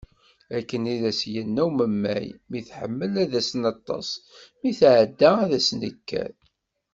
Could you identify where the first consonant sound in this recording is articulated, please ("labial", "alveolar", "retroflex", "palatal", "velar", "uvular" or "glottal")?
velar